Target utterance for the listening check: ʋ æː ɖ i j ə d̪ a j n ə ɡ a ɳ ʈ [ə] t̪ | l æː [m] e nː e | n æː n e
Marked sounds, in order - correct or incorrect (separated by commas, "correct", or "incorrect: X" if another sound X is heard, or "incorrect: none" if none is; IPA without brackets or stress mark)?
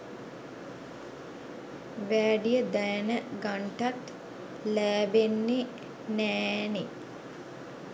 incorrect: a, incorrect: b